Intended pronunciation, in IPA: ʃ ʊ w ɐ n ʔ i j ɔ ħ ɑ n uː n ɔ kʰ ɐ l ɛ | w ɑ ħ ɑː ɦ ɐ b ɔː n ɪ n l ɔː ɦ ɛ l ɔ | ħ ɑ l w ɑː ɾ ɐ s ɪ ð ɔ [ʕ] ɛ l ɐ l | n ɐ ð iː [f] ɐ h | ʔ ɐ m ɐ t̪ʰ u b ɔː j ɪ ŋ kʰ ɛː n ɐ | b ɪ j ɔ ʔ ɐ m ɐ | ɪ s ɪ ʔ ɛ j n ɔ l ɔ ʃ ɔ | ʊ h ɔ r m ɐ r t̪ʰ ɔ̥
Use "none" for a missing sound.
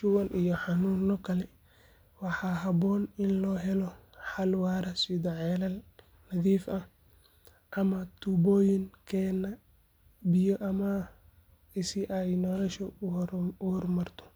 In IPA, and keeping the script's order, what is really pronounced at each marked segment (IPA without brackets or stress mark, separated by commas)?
ʕ, f